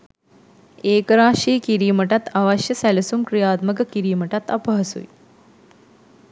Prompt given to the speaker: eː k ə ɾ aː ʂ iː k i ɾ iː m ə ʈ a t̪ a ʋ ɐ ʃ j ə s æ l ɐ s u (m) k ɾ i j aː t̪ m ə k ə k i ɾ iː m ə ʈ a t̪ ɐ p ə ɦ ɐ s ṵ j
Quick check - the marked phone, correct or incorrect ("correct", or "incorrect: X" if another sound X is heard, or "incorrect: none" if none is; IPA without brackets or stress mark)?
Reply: correct